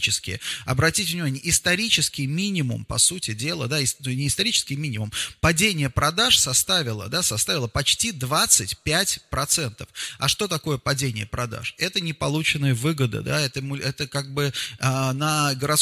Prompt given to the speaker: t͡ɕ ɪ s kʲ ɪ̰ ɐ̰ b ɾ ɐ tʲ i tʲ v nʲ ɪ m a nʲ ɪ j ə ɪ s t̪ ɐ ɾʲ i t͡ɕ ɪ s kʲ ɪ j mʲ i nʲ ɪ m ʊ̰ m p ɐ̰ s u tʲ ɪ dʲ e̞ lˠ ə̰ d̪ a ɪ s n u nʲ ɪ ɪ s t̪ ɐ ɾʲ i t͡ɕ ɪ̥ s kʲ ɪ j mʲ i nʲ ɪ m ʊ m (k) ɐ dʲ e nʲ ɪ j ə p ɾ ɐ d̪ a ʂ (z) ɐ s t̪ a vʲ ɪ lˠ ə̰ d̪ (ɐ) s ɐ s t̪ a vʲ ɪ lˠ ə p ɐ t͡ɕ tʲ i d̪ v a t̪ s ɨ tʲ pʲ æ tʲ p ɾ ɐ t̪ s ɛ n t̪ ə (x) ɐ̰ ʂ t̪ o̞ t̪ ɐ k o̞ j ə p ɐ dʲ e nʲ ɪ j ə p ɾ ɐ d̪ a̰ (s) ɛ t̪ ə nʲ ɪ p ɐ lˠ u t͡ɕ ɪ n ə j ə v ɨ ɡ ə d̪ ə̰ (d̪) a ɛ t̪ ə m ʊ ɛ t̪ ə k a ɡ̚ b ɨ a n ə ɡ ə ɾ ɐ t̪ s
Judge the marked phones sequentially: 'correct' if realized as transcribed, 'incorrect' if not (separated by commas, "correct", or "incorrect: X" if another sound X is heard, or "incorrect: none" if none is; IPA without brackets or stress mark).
incorrect: p, incorrect: s, incorrect: a, incorrect: f, incorrect: ʂ, correct